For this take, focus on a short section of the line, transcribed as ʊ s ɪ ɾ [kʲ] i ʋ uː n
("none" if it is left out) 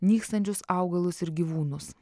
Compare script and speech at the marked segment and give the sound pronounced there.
ɡʲ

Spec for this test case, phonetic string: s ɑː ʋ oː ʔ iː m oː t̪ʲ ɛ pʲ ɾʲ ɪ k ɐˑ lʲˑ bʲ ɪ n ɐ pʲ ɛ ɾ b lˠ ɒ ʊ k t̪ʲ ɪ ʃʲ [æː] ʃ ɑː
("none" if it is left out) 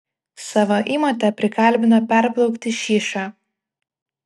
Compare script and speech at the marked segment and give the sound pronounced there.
iː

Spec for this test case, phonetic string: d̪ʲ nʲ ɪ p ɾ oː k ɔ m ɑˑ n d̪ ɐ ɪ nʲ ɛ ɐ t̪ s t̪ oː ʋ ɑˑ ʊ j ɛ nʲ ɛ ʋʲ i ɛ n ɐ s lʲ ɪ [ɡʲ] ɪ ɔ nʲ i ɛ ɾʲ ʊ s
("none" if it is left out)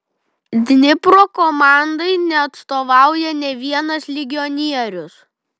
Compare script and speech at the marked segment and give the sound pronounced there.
ɡʲ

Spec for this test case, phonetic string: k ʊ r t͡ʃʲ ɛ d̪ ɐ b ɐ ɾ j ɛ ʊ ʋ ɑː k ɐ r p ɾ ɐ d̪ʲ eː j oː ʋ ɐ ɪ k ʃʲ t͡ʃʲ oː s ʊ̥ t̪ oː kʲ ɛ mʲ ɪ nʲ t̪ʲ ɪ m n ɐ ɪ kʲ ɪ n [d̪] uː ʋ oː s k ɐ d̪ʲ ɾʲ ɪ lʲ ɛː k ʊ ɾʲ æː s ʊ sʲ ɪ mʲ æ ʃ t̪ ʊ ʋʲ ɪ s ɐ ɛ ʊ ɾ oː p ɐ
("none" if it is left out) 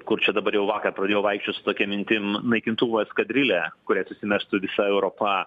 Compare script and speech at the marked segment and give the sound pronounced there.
t̪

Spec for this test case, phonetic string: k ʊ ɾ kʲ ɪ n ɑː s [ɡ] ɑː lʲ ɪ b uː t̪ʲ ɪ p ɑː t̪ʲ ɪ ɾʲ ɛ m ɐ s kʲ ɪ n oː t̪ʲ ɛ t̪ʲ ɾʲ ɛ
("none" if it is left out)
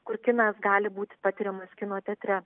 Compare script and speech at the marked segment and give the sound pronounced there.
ɡ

